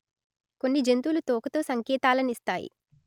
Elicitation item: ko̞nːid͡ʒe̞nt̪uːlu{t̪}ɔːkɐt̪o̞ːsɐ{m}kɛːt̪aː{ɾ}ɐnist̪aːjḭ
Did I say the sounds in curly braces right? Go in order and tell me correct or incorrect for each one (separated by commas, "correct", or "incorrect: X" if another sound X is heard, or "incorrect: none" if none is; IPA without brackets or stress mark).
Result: correct, incorrect: ŋ, incorrect: l